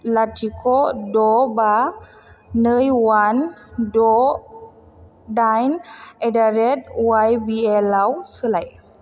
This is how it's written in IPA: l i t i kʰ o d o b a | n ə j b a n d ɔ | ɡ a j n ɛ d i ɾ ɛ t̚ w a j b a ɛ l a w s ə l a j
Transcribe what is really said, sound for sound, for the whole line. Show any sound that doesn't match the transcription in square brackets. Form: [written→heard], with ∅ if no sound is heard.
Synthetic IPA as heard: l [i→a] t i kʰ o d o b a | n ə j [b→w] a n d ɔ | [ɡ→d] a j n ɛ d [i→a] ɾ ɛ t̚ w a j b [a→i] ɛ l a w s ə l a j